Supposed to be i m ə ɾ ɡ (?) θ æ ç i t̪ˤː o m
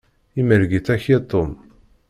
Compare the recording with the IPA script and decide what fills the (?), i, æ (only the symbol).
i